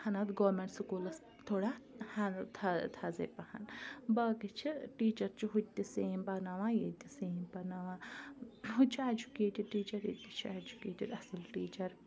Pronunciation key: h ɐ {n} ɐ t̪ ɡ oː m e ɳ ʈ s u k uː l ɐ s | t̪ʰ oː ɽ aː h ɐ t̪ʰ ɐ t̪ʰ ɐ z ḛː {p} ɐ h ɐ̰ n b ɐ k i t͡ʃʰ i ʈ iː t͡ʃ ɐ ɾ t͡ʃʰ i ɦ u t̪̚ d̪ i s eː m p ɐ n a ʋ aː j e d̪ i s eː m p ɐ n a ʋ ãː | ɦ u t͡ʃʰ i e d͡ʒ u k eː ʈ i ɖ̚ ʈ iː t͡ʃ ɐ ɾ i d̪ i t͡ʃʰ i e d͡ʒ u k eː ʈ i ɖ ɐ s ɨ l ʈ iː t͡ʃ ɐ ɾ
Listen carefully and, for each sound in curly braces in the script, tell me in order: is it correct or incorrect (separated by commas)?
correct, correct